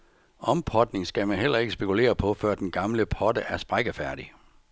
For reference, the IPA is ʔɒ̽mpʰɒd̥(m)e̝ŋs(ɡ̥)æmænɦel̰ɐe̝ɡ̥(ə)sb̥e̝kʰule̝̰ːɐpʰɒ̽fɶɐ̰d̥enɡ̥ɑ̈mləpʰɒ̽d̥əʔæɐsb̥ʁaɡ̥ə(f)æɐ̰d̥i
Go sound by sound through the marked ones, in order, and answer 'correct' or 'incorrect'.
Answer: incorrect, correct, correct, correct

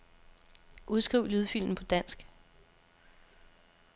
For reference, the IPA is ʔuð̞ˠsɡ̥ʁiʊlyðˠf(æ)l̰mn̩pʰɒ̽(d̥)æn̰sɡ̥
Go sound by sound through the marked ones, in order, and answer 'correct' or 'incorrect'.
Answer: incorrect, correct

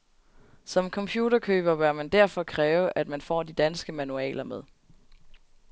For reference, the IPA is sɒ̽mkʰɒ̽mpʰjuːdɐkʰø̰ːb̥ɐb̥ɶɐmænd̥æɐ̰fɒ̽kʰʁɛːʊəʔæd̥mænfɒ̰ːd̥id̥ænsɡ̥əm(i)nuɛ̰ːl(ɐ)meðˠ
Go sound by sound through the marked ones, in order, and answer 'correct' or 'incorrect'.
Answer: incorrect, correct

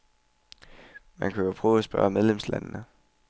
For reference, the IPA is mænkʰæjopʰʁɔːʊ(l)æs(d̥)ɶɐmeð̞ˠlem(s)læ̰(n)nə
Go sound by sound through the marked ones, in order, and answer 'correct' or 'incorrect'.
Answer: incorrect, incorrect, correct, correct

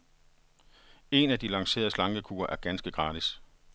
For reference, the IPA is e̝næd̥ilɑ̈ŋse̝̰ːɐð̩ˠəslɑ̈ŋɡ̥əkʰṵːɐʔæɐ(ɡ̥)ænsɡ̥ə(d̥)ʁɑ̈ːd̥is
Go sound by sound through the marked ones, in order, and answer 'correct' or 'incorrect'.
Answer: correct, incorrect

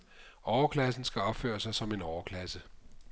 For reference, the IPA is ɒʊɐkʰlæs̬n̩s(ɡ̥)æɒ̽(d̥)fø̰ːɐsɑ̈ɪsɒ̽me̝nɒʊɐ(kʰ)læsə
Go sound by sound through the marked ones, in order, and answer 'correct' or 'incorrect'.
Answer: correct, incorrect, correct

